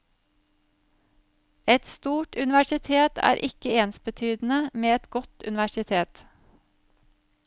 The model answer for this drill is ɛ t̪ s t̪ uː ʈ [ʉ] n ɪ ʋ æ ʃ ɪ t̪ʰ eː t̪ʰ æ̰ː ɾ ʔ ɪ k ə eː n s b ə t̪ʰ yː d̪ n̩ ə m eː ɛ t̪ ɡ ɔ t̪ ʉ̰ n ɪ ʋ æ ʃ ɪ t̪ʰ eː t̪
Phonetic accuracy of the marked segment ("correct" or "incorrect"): correct